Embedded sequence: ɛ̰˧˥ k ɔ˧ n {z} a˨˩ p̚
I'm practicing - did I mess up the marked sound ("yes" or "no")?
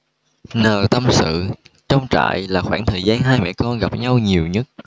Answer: yes